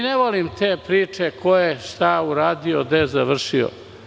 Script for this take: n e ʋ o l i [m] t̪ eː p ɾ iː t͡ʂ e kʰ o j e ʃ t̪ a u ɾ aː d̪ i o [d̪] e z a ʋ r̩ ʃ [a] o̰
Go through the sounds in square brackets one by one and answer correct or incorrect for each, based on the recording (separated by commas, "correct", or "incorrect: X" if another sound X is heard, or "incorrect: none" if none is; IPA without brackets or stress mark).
correct, correct, incorrect: i